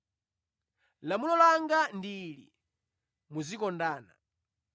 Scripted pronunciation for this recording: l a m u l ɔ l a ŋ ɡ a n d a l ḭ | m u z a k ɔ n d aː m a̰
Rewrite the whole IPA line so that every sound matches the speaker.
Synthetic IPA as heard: l a m u l ɔ l a ŋ ɡ a n d i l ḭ | m u z i k ɔ n d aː n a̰